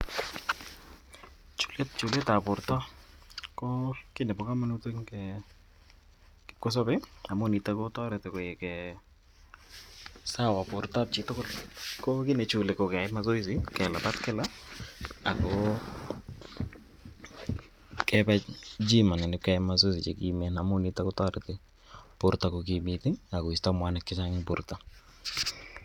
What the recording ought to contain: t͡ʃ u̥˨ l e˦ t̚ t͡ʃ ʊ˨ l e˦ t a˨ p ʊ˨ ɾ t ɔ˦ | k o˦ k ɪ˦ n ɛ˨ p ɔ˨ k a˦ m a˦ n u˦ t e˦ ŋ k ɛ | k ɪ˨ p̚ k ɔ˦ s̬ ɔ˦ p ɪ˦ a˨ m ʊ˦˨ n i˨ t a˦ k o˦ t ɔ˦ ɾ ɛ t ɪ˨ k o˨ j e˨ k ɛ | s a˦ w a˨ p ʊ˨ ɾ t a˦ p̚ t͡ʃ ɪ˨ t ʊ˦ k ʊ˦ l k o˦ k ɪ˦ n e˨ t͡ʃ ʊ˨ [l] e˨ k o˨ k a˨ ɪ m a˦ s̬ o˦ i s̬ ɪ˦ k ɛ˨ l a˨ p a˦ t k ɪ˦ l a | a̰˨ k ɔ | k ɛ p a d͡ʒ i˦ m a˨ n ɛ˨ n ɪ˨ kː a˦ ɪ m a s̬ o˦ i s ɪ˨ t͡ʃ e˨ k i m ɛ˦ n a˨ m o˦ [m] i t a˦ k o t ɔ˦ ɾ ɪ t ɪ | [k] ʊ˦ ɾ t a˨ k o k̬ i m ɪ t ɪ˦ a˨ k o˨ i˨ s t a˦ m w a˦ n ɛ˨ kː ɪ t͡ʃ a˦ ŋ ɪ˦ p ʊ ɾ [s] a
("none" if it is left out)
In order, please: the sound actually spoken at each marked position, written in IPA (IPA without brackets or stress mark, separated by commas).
l, n, p, t